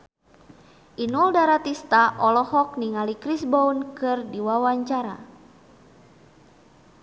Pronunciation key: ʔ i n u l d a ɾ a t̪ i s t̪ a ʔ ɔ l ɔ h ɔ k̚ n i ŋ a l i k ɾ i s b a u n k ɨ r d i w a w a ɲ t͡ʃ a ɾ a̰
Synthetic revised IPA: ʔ i n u l d a ɾ a t̪ i s t̪ a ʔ ɔ l ɔ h ɔ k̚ n i ŋ a l i k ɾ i s b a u n k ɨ r d i w a w a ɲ t͡ʃ a ɾ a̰